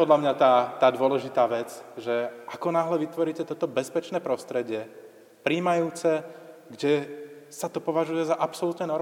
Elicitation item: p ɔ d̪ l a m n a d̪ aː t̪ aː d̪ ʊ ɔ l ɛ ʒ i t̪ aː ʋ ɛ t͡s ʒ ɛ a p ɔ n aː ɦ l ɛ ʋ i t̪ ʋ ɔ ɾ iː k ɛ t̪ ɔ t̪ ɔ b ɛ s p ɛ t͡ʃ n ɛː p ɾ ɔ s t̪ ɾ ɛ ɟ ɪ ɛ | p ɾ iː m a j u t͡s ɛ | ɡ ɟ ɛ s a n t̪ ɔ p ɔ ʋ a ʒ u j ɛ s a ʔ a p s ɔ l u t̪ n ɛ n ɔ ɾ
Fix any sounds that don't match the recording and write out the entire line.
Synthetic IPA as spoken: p ɔ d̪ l a m ɲ a t̪ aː t̪ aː d̪ ʊ ɔ l ɛ ʒ i t̪ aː ʋ ɛ t͡s ʒ ɛ a k ɔ n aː ɦ l ɛ ʋ i t̪ ʋ ɔ ɾ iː c ɛ t̪ ɔ t̪ ɔ b ɛ s p ɛ t͡ʃ n ɛː p ɾ ɔ s t̪ ɾ ɛ ɟ ɪ ɛ | p ɾ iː m a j uː t͡s ɛ | ɡ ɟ ɛ s a t̪ ɔ p ɔ ʋ a ʒ u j ɛ z a ʔ a p s ɔ l u t̪ n ɛ n ɔ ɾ